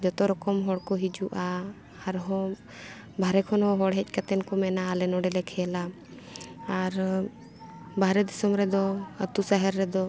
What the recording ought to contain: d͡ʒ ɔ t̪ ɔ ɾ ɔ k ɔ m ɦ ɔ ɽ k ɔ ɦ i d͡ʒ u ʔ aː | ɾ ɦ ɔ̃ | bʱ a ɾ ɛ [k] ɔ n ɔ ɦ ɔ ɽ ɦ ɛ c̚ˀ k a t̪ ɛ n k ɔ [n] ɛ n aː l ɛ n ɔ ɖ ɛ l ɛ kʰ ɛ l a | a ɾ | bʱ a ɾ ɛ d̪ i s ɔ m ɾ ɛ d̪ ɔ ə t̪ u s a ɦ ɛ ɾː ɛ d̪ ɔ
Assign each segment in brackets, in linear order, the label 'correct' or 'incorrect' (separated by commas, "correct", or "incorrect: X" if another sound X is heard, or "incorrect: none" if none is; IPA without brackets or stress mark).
incorrect: kʰ, incorrect: m